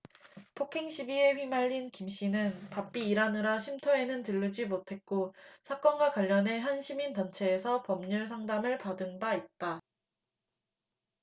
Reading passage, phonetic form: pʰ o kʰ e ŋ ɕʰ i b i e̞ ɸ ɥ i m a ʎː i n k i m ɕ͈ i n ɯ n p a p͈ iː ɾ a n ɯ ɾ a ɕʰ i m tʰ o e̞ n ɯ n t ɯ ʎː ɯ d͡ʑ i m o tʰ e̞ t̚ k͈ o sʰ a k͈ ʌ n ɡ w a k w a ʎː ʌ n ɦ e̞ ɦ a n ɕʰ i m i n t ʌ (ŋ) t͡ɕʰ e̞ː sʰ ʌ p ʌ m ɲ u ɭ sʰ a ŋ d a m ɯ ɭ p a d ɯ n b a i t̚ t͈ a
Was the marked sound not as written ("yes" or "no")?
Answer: yes